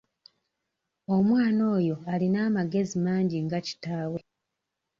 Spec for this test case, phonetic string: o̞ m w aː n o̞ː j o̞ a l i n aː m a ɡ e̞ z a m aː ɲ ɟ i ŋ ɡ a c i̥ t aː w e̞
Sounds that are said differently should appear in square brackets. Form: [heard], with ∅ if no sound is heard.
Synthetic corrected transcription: o̞ m w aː n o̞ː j o̞ a l i n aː m a ɡ e̞ z [i] m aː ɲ ɟ i ŋ ɡ a c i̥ t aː w e̞